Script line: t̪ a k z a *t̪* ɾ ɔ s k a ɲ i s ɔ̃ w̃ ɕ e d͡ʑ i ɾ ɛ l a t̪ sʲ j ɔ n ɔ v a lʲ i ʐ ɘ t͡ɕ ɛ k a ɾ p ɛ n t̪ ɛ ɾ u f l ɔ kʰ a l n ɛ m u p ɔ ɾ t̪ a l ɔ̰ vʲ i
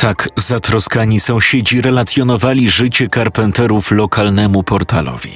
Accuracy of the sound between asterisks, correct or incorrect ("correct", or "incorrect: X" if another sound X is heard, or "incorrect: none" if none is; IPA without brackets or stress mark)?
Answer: correct